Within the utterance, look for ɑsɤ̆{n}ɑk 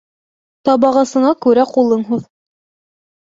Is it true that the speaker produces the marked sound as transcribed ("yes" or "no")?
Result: no